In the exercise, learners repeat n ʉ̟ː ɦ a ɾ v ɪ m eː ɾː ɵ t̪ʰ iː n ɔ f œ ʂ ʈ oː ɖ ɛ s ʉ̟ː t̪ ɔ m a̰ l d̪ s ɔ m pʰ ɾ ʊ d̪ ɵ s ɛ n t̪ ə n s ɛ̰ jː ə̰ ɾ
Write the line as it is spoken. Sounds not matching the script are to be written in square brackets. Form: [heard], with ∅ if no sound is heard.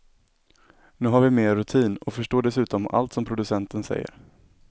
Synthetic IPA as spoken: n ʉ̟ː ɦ a ɾ v ɪ m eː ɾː ɵ t̪ʰ iː n ɔ f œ ʂ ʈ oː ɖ ɛ s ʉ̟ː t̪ ɔ m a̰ l [t̪] s ɔ m pʰ ɾ ʊ d̪ ɵ s ɛ n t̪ ə n s ɛ̰ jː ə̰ ɾ